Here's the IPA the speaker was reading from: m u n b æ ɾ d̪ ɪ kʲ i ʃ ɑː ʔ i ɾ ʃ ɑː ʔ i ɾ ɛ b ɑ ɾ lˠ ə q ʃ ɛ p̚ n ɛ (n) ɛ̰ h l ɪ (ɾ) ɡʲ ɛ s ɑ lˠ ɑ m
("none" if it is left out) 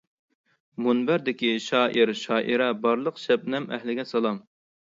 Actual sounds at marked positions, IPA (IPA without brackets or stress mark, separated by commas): m, none